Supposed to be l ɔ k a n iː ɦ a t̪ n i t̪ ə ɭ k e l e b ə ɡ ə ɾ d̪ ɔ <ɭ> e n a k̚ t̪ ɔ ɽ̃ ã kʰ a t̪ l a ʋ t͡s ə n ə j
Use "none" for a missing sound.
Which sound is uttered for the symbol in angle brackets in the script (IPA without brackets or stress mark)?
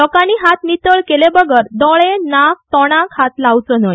ɭ